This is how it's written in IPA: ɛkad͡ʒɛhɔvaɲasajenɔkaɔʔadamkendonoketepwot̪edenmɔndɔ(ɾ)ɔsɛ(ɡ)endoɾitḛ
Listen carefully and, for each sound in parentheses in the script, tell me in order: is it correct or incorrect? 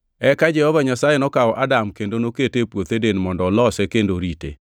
incorrect: l, incorrect: k

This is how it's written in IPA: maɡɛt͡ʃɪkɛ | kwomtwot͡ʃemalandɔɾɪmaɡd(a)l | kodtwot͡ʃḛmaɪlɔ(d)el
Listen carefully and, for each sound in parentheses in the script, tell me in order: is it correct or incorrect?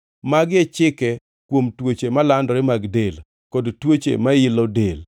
incorrect: e, correct

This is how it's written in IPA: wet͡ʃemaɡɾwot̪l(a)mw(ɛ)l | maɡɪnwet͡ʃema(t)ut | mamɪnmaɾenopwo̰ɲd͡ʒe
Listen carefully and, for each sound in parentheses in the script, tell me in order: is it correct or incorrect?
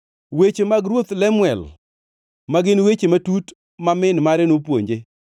incorrect: ɛ, correct, correct

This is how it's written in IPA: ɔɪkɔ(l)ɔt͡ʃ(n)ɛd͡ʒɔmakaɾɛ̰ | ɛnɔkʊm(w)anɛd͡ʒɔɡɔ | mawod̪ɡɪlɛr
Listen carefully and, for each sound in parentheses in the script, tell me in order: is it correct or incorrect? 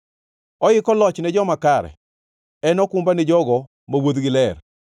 correct, correct, incorrect: b

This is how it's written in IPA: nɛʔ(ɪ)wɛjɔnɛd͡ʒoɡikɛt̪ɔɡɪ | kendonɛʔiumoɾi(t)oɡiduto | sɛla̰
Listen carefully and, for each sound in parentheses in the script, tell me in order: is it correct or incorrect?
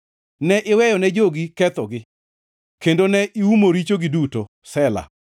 correct, incorrect: t͡ʃ

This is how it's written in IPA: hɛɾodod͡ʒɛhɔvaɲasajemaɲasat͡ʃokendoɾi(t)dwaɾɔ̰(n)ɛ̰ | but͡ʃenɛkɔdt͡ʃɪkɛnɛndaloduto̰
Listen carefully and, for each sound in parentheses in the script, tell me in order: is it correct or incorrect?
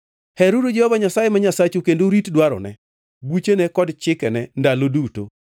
correct, correct

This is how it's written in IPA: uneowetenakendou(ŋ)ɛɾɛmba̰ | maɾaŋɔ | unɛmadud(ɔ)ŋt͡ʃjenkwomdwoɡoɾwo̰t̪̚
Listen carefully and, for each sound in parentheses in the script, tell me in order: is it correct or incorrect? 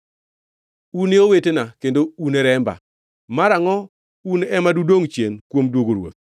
incorrect: n, incorrect: o

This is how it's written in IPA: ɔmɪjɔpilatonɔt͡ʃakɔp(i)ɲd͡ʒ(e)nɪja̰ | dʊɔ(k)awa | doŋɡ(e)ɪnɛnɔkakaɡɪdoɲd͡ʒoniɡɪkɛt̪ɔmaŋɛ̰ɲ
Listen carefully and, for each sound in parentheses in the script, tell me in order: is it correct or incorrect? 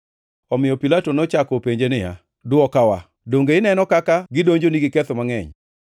incorrect: e, correct, correct, correct

